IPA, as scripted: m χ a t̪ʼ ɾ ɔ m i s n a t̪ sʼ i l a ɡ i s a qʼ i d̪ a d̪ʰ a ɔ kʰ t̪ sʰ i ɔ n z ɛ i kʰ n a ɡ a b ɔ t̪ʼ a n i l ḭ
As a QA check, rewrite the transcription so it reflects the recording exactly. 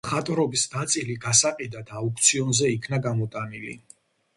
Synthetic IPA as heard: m χ a t̪ʼ ɾ ɔ b i s n a t̪ sʼ i l i ɡ a s a qʼ i d̪ a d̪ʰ a u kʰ t̪ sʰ i ɔ n z ɛ i kʰ n a ɡ a m ɔ t̪ʼ a n i l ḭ

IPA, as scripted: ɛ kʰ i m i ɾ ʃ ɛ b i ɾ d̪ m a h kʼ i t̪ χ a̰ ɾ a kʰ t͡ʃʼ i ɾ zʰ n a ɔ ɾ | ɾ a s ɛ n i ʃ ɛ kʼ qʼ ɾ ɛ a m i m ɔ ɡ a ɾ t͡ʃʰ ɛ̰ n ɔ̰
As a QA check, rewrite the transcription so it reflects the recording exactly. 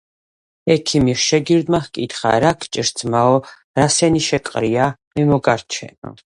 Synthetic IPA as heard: ɛ kʰ i m i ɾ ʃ ɛ ɡ i ɾ d̪ m a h kʼ i t̪ χ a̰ ɾ a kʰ t͡ʃʼ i ɾ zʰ m a ɔ | ɾ a s ɛ n i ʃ ɛ kʼ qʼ ɾ i a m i m ɔ ɡ a ɾ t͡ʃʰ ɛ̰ n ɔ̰

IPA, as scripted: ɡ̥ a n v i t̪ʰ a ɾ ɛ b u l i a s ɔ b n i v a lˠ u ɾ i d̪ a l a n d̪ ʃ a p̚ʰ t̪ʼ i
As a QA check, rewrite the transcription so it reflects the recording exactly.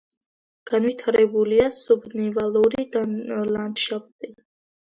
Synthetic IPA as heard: ɡ̥ a n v i t̪ʰ a ɾ ɛ b u l i a s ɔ b n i v a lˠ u ɾ i d̪ a l a n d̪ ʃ a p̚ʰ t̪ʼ i

